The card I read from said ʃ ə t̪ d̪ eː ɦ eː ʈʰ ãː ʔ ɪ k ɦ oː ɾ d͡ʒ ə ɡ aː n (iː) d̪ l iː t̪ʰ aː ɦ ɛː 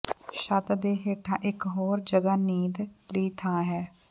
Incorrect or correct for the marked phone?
correct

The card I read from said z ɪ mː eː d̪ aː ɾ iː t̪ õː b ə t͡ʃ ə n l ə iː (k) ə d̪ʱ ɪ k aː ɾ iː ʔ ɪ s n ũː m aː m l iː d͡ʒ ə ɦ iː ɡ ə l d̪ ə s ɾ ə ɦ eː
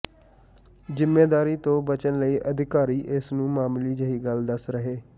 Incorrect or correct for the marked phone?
incorrect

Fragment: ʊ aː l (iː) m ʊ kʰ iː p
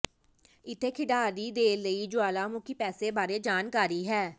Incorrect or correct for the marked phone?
incorrect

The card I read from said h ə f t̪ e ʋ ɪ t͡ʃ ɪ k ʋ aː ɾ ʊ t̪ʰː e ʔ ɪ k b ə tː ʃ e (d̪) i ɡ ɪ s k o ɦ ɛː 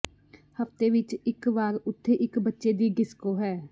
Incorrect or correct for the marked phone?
correct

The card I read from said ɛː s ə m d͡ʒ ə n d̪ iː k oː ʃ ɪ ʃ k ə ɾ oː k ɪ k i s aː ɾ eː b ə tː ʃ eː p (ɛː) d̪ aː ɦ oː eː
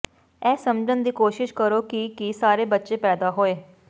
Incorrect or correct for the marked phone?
correct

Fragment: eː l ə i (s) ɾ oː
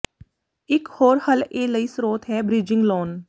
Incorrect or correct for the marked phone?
correct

